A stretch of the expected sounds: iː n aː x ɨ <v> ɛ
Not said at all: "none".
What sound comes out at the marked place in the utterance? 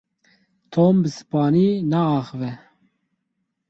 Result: v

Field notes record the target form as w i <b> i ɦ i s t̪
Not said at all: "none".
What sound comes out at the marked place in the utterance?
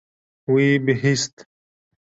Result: b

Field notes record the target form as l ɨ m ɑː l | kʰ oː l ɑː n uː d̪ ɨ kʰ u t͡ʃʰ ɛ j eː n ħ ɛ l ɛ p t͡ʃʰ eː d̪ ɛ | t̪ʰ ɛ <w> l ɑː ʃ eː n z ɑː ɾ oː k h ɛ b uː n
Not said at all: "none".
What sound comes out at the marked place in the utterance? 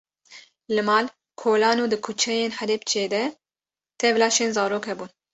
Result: v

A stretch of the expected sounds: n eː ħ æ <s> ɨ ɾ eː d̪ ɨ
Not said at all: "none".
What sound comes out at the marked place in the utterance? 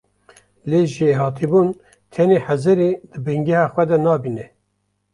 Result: z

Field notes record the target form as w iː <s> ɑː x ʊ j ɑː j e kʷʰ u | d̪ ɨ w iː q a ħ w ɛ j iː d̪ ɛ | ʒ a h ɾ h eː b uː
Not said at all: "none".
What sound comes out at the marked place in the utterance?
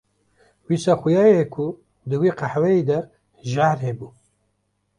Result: s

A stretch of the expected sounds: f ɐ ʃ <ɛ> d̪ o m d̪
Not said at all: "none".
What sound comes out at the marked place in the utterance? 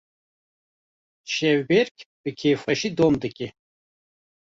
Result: i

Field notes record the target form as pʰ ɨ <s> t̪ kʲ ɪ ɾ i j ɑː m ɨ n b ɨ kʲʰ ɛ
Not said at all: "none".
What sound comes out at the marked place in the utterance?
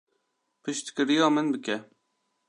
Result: ʃ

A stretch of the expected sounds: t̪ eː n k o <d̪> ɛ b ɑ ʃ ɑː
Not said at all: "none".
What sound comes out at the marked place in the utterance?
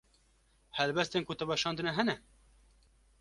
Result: t̪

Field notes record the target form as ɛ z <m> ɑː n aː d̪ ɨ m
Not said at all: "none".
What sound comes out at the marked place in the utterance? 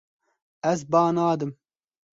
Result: b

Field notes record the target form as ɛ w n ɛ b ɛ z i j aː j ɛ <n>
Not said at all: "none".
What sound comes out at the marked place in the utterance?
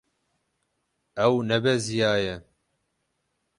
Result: none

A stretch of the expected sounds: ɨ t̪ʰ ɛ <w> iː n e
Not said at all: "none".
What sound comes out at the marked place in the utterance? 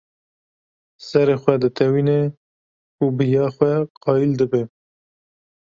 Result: w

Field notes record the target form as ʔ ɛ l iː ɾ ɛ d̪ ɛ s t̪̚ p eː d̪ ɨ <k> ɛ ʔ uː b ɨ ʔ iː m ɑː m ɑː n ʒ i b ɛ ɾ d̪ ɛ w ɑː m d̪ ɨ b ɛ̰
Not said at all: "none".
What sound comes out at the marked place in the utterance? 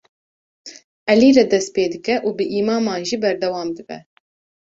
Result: k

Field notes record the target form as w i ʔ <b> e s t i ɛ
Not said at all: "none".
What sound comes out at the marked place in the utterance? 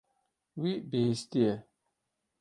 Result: b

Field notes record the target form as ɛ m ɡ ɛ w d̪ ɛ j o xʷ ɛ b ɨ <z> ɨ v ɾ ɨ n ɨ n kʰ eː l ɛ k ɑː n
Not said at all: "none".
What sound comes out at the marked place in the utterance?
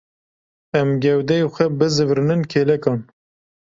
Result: z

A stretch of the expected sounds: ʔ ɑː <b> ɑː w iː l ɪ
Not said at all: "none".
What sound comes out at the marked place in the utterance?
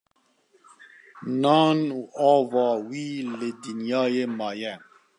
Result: v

